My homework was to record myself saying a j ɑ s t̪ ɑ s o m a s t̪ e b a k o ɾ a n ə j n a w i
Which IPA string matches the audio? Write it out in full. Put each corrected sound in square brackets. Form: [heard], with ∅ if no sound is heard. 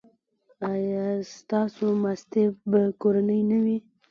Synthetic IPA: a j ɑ s t̪ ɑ s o m a s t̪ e b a k o ɾ a n ə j n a w i